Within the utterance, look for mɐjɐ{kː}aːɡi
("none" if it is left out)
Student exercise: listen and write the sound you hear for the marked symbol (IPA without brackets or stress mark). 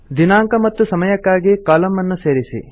kː